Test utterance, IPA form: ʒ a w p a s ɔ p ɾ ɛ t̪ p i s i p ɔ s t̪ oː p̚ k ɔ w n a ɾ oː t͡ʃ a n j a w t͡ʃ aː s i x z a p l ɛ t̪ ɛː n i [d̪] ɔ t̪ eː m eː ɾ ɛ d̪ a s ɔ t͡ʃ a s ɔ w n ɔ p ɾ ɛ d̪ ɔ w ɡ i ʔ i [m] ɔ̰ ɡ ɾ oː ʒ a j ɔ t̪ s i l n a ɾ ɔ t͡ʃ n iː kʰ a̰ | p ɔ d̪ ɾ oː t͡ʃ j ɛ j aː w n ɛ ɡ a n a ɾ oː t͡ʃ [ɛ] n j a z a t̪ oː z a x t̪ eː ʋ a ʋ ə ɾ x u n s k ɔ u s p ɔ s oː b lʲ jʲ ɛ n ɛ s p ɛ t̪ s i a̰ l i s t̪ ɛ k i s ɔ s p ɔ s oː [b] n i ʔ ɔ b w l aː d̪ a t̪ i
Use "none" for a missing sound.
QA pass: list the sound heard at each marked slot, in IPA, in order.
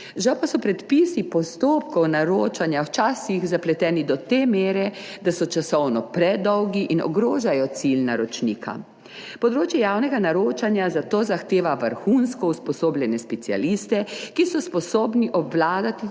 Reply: d̪, n, a, b

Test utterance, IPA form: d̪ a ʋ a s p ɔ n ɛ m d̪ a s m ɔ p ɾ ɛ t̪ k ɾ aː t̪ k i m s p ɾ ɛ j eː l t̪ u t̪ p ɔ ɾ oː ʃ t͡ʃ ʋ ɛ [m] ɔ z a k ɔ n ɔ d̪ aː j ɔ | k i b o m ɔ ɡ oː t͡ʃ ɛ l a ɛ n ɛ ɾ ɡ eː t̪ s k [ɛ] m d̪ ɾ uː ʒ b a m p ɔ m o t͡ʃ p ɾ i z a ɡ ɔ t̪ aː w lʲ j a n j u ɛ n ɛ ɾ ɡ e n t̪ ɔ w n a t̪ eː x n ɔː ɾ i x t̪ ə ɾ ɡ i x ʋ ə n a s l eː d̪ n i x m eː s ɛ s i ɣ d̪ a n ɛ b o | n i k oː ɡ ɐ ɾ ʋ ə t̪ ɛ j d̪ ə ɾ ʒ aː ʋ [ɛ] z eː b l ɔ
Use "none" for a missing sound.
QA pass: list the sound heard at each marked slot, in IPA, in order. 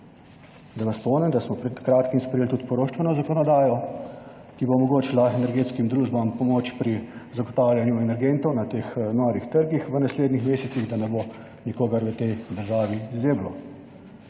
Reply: n, i, i

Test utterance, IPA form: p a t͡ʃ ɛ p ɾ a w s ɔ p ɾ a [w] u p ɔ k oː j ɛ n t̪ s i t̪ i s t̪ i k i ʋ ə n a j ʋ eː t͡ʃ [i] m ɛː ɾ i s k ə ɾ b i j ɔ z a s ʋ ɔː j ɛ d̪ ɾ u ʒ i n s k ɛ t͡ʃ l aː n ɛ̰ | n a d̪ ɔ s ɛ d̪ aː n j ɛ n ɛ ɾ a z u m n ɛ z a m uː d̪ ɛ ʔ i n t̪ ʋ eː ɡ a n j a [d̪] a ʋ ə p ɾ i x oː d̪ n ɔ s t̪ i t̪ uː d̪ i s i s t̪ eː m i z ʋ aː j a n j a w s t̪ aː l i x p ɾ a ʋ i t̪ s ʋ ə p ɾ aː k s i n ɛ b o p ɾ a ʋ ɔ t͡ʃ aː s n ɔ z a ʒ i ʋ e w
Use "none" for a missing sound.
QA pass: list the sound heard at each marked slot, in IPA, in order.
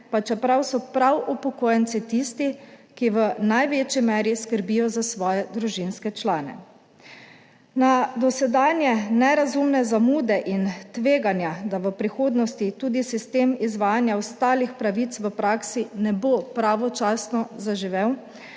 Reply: w, i, d̪

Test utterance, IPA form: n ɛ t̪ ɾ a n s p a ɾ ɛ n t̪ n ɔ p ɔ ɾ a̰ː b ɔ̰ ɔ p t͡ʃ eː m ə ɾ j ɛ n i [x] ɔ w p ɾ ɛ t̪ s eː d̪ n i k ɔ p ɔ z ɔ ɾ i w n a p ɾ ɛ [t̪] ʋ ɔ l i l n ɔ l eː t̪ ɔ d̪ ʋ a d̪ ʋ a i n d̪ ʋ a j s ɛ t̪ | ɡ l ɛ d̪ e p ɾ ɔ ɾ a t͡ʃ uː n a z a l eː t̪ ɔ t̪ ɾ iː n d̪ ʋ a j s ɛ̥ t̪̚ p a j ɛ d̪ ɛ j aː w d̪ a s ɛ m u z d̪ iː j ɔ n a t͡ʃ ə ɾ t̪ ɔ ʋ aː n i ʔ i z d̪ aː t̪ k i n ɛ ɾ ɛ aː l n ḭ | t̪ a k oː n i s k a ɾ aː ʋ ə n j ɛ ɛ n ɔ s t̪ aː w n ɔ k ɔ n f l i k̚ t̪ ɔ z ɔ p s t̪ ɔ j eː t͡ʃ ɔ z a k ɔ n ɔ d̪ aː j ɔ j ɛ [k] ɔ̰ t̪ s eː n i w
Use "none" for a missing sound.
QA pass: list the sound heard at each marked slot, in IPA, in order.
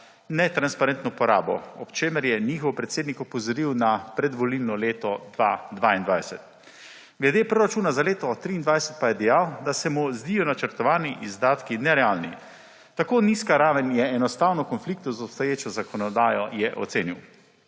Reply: x, d̪, ʔ

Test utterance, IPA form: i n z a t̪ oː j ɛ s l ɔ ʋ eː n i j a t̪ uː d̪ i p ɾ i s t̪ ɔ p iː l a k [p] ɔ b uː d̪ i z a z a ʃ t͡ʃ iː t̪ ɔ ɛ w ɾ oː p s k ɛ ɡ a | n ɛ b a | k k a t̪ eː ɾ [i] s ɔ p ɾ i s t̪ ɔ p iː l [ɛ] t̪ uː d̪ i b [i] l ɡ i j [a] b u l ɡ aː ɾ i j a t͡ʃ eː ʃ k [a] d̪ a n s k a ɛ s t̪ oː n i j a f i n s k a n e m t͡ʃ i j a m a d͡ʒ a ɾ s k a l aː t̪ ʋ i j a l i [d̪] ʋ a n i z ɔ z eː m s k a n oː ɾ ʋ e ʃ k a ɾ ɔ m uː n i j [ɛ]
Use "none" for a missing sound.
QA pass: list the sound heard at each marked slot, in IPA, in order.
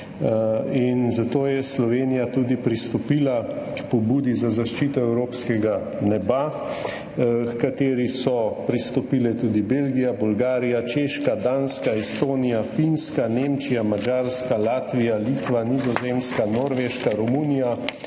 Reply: p, i, ɛ, e, a, a, t̪, a

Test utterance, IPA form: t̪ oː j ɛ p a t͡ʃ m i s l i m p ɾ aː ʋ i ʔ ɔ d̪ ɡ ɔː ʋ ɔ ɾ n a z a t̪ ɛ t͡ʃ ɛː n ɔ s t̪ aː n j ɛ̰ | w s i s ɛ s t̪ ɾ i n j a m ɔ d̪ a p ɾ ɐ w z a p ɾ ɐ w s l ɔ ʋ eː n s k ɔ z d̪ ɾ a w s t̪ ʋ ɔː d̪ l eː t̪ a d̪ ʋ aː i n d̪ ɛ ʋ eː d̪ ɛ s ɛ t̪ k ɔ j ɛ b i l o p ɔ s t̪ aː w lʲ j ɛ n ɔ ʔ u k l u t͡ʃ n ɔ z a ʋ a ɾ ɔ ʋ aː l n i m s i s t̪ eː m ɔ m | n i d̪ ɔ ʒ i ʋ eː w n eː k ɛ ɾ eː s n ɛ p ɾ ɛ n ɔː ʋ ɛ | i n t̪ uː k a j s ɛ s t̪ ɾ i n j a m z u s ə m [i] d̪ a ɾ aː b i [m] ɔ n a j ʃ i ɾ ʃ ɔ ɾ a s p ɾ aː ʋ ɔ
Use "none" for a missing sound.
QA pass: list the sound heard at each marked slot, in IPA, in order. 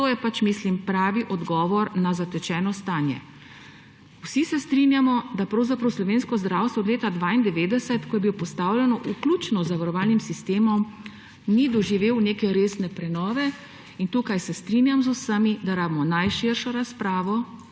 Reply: i, m

